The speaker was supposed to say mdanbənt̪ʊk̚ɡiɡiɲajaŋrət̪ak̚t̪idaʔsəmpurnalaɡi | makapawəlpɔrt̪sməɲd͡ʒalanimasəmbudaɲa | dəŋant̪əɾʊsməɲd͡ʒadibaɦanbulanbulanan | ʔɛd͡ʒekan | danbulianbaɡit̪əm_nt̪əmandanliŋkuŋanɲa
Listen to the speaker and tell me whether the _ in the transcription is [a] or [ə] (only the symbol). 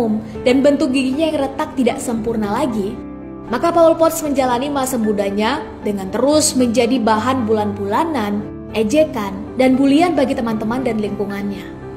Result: a